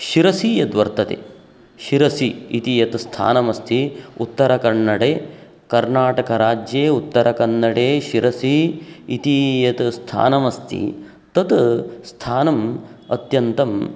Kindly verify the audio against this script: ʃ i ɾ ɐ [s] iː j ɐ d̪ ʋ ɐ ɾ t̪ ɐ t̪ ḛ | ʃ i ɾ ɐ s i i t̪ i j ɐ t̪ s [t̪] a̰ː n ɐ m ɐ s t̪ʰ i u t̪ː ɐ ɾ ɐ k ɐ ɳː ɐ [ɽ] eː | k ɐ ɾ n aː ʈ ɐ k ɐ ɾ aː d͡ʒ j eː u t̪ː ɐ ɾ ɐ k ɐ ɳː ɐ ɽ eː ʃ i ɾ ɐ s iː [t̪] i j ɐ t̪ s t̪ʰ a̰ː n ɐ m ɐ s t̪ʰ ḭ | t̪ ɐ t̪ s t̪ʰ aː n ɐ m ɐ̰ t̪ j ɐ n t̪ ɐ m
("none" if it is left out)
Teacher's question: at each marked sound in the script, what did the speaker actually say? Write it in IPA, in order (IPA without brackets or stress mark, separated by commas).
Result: s, t̪ʰ, ɽ, t̪